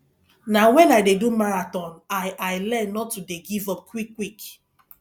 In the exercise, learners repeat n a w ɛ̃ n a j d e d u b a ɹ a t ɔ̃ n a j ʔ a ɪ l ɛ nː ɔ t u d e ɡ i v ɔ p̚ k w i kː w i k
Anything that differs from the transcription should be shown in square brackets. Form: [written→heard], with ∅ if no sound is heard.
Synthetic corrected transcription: n a w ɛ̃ n a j d e d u [b→m] a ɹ a t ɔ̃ n a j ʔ a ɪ l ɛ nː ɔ t u d e ɡ i v ɔ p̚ k w i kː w i k